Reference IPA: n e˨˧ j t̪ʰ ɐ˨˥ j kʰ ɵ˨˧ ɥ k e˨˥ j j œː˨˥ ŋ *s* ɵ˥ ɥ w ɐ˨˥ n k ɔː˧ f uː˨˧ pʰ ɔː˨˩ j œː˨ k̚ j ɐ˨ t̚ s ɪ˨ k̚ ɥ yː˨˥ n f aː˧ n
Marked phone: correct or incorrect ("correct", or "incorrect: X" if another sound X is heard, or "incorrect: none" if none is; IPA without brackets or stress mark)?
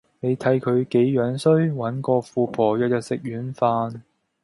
correct